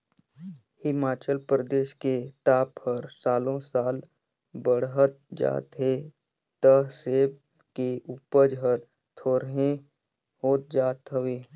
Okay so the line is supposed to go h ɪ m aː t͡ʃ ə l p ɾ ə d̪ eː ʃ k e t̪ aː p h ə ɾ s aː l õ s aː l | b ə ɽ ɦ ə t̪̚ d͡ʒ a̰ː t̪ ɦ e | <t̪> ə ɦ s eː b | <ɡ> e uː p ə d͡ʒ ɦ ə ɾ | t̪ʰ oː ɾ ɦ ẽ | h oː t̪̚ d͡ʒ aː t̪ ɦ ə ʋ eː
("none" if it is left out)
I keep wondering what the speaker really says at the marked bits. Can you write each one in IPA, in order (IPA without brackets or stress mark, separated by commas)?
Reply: t̪, k